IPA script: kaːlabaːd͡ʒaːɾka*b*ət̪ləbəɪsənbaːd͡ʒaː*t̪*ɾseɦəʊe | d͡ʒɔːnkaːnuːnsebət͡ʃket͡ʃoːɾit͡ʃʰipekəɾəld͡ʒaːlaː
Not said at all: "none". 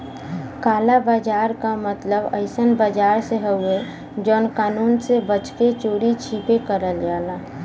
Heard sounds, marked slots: m, none

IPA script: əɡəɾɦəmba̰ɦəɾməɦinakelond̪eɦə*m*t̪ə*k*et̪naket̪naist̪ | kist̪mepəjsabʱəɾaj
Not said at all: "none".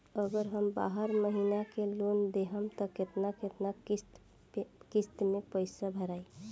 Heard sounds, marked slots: m, k

